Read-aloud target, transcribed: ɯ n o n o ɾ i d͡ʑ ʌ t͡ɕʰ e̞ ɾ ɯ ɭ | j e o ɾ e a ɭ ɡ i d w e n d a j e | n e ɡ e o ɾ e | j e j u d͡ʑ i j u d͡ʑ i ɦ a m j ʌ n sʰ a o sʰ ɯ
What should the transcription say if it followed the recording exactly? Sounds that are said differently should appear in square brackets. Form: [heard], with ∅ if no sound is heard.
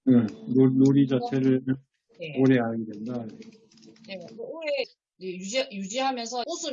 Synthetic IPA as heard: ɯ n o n o ɾ i d͡ʑ [a] t͡ɕʰ e̞ ɾ ɯ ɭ | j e o ɾ e a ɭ ɡ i d w e n d a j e | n e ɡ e o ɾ e | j e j u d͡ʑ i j u d͡ʑ i ɦ a m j ʌ n sʰ [ʌ] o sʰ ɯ